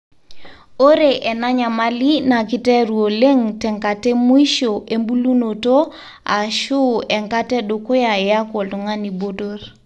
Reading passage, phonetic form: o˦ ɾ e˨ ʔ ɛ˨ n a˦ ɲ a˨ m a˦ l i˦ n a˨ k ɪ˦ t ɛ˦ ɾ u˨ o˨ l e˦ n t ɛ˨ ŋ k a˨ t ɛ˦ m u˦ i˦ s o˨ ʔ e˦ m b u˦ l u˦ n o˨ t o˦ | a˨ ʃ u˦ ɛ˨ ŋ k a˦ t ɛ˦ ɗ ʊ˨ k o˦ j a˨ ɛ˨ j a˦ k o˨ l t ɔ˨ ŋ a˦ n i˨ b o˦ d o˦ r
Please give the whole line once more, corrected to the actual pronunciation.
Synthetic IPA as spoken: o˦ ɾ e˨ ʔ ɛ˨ n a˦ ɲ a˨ m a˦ l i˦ n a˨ k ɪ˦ t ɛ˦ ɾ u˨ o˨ l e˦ ŋ t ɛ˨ ŋ k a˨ t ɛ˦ m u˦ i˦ ʃ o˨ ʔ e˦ m b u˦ l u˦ n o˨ t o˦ | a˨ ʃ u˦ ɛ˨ ŋ k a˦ t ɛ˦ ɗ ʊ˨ k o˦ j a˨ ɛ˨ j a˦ k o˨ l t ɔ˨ ŋ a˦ n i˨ b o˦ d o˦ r